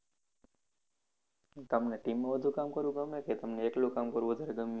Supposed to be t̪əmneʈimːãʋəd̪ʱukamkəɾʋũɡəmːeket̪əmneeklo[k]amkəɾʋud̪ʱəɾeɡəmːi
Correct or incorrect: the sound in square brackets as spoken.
correct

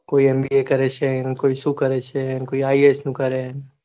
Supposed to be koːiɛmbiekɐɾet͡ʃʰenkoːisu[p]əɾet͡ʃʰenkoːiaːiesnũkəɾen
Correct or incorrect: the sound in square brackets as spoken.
incorrect: k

